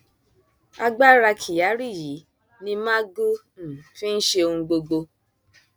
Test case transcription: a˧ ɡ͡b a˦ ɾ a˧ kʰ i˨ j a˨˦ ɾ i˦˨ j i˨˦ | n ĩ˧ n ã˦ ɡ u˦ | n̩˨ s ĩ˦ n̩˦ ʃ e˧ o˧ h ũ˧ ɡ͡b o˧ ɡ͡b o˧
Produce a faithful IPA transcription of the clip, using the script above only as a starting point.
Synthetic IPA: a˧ ɡ͡b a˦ ɾ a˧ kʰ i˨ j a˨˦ ɾ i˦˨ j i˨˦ | n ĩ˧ m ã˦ ɡ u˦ | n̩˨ f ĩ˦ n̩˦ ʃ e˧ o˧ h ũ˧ ɡ͡b o˧ ɡ͡b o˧